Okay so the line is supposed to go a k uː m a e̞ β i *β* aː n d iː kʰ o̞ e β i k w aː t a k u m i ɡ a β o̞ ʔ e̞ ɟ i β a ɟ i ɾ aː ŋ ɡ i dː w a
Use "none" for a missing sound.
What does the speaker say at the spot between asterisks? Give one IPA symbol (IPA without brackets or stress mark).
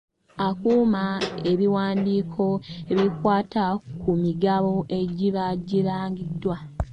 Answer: w